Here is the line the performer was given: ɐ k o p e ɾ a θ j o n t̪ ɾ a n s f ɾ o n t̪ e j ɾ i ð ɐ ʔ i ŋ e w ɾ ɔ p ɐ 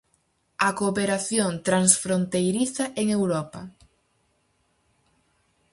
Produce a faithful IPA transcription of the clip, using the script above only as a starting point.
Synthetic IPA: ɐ k o p e ɾ a θ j o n t̪ ɾ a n s f ɾ o n t̪ e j ɾ i θ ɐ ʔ e ŋ e w ɾ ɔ p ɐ